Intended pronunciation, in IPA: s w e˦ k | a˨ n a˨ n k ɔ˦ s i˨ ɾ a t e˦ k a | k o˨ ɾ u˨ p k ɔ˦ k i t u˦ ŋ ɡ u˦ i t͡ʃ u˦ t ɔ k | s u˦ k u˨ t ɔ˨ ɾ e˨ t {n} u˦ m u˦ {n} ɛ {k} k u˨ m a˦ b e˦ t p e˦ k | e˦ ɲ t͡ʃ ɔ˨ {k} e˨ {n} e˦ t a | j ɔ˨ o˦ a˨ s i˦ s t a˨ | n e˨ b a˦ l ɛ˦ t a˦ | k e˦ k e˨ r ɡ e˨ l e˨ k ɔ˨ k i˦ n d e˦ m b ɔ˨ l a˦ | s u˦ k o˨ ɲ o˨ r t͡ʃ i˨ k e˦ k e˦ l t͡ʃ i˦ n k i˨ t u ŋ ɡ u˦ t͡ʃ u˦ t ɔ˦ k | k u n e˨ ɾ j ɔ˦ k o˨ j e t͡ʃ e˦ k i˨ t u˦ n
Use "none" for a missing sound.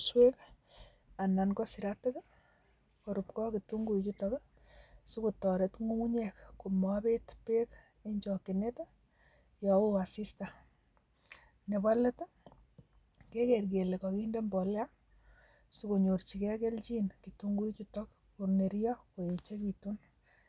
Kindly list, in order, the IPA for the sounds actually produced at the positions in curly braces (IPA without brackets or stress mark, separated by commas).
ŋ, ɲ, k, k, n